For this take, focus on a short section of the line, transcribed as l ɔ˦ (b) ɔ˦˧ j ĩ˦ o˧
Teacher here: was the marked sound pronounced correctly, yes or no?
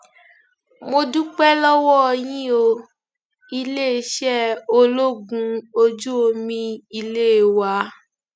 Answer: no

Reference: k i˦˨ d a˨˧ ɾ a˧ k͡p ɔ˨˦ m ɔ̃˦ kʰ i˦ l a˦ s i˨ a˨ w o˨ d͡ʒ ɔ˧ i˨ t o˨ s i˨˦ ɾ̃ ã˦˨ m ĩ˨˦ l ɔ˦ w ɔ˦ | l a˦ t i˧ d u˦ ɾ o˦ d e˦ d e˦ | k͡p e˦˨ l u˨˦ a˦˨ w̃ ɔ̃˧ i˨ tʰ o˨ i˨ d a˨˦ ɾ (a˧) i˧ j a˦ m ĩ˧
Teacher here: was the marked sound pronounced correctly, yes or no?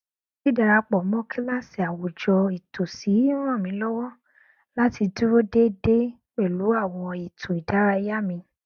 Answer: yes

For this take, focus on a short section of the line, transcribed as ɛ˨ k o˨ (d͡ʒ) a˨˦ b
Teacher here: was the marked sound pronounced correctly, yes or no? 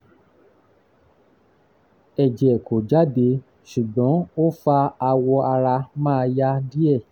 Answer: yes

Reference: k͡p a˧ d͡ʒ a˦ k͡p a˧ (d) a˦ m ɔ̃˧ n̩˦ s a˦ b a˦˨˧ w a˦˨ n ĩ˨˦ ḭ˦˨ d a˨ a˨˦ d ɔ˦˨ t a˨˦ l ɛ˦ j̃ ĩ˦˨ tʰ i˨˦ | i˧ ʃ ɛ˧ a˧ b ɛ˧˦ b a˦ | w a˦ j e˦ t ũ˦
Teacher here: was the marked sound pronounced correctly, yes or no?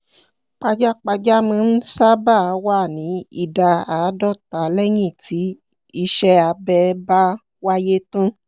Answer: no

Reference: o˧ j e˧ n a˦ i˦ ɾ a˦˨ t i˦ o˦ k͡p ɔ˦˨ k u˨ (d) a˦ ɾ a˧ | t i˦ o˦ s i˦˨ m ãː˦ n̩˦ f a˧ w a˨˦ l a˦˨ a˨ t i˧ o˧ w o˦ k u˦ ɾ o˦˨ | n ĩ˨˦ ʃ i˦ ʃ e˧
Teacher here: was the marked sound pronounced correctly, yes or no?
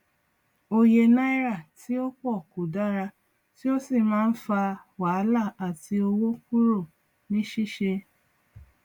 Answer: yes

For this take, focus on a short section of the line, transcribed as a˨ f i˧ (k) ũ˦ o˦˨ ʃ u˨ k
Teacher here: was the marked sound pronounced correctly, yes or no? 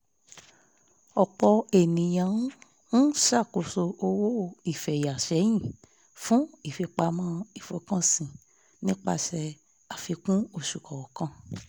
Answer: yes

